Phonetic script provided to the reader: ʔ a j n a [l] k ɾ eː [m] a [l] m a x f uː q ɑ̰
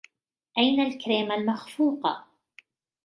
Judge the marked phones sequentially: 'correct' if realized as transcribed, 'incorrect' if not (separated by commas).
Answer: correct, correct, correct